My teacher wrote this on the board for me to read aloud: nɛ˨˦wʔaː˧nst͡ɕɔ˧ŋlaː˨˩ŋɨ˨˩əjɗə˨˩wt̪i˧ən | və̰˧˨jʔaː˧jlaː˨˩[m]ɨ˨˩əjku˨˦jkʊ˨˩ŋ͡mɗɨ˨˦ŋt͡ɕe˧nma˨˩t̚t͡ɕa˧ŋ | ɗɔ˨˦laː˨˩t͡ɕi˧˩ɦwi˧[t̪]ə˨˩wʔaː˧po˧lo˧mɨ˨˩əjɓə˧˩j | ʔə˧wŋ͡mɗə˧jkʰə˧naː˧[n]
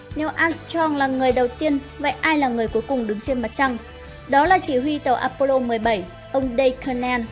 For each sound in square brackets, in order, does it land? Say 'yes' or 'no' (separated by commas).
no, yes, yes